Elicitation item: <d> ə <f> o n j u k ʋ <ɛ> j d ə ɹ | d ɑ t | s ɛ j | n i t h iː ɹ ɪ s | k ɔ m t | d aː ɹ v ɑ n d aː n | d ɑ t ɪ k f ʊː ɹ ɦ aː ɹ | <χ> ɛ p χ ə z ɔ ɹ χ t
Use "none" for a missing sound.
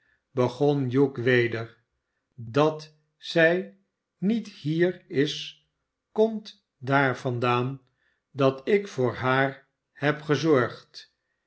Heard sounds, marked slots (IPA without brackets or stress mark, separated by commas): b, χ, e, h